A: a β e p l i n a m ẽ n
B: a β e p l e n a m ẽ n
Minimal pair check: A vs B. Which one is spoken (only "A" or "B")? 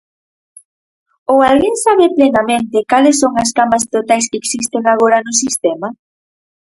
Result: B